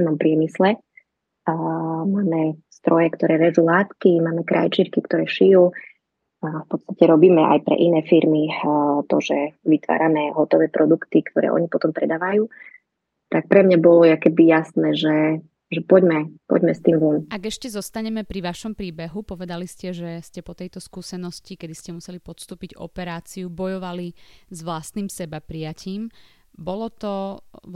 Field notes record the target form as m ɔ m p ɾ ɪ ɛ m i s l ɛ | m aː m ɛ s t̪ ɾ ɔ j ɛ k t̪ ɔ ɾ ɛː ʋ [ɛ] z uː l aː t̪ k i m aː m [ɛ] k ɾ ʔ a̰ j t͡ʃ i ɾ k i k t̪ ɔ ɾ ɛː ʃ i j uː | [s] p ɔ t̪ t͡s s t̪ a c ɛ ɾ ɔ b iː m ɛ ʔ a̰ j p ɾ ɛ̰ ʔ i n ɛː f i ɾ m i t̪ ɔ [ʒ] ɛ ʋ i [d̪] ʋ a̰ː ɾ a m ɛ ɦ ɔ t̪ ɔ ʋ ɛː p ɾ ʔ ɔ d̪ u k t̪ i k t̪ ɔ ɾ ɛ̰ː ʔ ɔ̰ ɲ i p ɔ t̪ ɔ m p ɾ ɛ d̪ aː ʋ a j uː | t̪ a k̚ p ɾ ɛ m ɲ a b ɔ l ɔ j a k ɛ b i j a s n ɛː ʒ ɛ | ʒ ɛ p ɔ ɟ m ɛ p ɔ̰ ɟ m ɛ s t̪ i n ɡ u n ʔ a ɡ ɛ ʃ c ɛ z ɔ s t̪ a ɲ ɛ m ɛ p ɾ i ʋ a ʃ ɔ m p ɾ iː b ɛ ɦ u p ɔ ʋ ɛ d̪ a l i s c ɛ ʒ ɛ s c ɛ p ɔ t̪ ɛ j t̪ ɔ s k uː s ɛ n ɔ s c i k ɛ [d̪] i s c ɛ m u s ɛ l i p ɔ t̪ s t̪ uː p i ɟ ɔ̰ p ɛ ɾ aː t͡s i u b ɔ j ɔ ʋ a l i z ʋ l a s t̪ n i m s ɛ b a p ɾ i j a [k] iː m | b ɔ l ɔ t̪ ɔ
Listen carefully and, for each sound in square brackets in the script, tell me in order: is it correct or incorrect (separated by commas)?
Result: correct, correct, incorrect, correct, incorrect, correct, incorrect